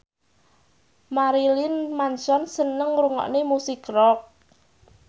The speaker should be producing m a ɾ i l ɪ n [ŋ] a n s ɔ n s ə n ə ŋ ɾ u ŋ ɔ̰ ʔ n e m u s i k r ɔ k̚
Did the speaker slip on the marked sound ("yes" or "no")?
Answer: yes